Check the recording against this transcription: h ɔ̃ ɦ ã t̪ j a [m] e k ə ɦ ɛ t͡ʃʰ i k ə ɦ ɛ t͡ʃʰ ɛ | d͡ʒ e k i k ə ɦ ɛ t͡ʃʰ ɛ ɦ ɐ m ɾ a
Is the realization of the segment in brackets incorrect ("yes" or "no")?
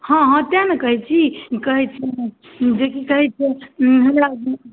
yes